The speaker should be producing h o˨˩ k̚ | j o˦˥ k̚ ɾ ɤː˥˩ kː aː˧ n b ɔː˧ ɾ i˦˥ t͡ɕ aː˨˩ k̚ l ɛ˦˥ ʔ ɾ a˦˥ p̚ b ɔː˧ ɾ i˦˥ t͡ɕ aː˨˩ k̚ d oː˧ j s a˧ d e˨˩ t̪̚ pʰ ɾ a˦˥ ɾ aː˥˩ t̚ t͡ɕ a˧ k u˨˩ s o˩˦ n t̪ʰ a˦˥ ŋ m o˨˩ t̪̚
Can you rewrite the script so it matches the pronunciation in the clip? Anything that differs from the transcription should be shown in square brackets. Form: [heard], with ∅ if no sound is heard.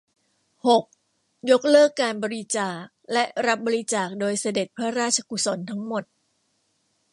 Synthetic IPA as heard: h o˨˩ k̚ | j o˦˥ k̚ [l] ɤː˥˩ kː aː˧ n b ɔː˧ ɾ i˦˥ t͡ɕ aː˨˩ k̚ l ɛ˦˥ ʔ ɾ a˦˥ p̚ b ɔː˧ ɾ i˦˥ t͡ɕ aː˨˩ k̚ d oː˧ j s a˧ d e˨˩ t̪̚ pʰ ɾ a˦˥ ɾ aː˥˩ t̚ [t͡ɕʰ] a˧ k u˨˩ s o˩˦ n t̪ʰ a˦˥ ŋ m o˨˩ t̪̚